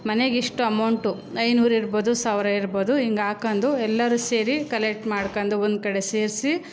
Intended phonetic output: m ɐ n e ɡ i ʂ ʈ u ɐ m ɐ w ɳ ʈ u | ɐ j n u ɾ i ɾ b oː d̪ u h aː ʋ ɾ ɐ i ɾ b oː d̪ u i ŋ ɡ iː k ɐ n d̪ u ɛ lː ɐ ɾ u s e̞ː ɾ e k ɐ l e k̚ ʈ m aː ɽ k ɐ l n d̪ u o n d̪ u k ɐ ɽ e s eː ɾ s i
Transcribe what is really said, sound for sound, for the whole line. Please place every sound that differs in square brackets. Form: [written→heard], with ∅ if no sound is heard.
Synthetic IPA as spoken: m ɐ n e ɡ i ʂ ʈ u ɐ m ɐ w ɳ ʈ u | ɐ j n [u→uː] ɾ i ɾ b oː d̪ u [h→s] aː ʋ ɾ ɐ i ɾ b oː d̪ u i ŋ ɡ [iː→aː] k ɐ n d̪ u ɛ lː ɐ ɾ u s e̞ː ɾ [e→i] k ɐ l e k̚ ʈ m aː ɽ k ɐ [l→∅] n d̪ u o n d̪ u k ɐ ɽ e s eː ɾ s i